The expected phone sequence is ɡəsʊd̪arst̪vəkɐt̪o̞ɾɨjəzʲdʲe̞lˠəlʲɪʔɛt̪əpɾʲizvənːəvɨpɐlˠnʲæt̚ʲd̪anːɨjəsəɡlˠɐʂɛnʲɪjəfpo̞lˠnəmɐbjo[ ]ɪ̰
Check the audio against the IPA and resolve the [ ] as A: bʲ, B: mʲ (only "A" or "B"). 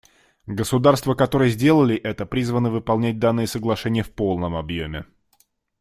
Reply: B